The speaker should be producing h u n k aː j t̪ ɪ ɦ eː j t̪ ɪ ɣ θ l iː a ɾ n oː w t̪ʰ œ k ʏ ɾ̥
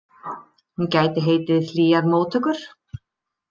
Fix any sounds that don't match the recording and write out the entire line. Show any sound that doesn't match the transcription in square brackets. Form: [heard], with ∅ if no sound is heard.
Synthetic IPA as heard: h u n [c] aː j t̪ ɪ ɦ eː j t̪ ɪ [ð] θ l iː a ɾ [m] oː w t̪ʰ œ k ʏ ɾ̥